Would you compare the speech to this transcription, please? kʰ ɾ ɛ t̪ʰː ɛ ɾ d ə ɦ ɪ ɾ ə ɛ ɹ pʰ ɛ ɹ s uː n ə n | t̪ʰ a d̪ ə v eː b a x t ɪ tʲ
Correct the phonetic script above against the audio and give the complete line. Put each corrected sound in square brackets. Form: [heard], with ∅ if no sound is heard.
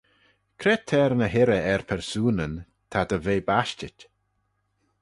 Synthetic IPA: kʰ ɾ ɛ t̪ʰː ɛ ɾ [n] ə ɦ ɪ ɾ ə ɛ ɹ pʰ ɛ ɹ s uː n ə n | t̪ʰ a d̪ ə v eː b a [ʃ] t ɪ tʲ